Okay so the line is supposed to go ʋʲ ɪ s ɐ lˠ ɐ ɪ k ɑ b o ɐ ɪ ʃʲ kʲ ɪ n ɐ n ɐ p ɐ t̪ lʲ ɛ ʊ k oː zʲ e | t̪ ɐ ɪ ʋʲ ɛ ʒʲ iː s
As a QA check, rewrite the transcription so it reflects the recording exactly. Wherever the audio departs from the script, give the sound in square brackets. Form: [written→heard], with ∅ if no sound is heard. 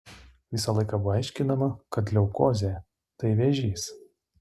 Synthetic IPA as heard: ʋʲ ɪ s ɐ lˠ ɐ ɪ k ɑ b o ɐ ɪ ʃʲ kʲ ɪ n ɐ [n→m] ɐ [p→k] ɐ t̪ lʲ ɛ ʊ k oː zʲ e | t̪ ɐ ɪ ʋʲ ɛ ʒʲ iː s

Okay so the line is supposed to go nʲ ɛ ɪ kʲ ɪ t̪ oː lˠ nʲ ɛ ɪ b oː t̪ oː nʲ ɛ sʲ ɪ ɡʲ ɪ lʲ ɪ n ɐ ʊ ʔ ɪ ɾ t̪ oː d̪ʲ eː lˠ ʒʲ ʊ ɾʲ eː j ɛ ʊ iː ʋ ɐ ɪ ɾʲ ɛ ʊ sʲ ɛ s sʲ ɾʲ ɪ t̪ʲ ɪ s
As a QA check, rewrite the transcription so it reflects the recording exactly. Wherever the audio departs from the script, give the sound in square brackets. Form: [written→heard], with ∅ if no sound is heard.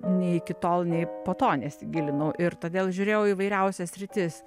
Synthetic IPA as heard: nʲ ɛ ɪ kʲ ɪ t̪ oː lˠ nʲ ɛ ɪ [b→p] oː t̪ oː nʲ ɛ sʲ ɪ ɡʲ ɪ lʲ ɪ n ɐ ʊ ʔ ɪ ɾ t̪ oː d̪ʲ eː lˠ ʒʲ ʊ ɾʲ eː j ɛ ʊ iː ʋ ɐ ɪ ɾʲ ɛ ʊ sʲ ɛ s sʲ ɾʲ ɪ t̪ʲ ɪ s

